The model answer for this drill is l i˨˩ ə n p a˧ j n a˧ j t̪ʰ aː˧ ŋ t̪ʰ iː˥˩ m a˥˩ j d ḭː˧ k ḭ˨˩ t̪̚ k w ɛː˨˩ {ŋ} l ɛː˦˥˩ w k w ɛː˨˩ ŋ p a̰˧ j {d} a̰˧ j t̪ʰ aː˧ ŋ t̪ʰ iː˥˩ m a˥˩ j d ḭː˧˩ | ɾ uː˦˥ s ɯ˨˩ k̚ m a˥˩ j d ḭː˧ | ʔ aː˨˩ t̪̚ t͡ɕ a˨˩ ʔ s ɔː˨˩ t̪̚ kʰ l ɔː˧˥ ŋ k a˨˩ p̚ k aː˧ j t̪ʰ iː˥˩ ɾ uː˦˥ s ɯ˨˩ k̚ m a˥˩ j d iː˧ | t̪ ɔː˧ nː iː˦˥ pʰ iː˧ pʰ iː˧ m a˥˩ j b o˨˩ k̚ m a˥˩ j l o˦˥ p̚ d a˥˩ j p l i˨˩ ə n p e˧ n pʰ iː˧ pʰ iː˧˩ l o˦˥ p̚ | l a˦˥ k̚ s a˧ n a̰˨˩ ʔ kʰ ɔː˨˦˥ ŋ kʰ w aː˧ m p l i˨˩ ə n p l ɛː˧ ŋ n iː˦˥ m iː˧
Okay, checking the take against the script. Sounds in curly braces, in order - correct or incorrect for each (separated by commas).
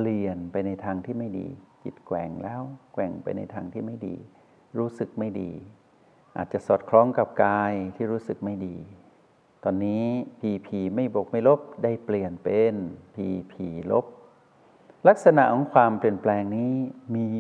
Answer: correct, incorrect